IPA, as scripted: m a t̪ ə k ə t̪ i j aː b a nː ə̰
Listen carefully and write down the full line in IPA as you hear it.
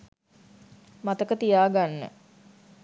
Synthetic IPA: m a t̪ ə k ə t̪ i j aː ɡ a nː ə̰